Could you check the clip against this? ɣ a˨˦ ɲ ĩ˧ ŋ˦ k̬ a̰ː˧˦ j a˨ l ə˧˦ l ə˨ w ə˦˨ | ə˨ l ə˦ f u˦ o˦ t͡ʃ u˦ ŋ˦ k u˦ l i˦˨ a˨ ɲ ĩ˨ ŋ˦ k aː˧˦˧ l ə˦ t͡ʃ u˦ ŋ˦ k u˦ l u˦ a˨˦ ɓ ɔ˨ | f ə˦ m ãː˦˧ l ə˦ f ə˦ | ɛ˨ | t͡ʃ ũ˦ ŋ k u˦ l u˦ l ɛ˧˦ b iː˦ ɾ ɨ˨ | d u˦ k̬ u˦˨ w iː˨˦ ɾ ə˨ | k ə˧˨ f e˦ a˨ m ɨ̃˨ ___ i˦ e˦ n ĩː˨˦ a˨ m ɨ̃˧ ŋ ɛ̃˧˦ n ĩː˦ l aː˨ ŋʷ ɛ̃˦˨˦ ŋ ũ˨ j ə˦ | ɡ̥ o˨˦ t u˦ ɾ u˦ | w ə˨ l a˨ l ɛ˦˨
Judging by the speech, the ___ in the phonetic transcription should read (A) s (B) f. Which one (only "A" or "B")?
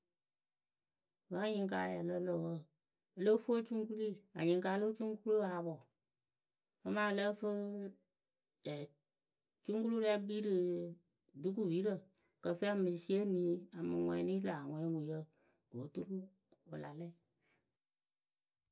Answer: A